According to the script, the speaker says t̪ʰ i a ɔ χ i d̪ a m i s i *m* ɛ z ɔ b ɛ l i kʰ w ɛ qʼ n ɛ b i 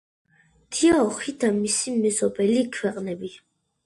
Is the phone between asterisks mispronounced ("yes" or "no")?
no